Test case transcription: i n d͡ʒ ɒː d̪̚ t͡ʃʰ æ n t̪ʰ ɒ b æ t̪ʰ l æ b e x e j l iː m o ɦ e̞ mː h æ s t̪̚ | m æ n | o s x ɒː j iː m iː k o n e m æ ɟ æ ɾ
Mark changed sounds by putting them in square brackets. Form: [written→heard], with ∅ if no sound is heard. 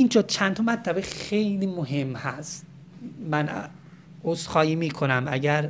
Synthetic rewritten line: i n d͡ʒ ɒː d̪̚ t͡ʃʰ æ n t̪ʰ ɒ [b→m] æ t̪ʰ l æ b e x e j l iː m o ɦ e̞ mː h æ s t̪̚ | m æ n | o s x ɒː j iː m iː [k→kʰ] o n [e→æ] m æ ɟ æ ɾ